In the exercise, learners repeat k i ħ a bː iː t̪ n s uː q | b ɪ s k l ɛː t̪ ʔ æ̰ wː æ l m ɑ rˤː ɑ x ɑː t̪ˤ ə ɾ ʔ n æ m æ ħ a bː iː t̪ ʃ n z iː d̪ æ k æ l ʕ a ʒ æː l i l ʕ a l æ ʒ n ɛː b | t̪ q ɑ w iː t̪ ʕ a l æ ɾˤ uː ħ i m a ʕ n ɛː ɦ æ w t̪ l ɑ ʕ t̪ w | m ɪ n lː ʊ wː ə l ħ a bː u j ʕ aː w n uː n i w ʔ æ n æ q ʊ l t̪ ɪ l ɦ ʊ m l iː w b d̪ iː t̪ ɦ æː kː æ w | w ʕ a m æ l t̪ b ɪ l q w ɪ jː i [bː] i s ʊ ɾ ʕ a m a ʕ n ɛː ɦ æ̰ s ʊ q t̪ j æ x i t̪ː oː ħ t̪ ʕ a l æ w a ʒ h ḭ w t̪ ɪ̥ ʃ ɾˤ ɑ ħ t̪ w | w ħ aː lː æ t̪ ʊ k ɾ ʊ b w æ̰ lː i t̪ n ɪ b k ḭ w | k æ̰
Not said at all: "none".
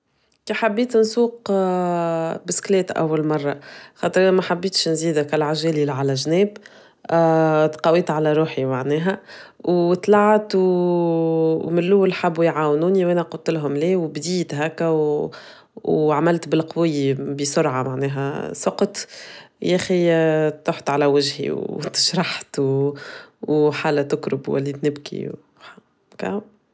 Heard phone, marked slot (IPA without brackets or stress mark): b